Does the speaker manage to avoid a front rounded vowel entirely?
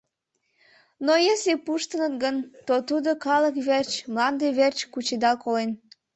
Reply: yes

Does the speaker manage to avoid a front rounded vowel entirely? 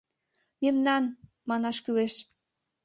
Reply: no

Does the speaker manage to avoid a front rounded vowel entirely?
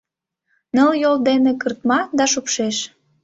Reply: yes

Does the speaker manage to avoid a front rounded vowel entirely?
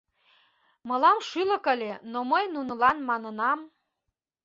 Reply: no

